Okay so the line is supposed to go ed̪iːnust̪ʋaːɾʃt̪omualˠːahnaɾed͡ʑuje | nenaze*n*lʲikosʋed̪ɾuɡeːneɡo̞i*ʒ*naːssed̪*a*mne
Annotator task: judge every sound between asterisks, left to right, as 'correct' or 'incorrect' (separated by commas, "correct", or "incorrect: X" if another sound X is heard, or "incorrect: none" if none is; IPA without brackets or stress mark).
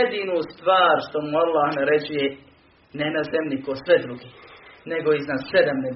incorrect: m, incorrect: z, correct